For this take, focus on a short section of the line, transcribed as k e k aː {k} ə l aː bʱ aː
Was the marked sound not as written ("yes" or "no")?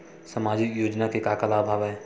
no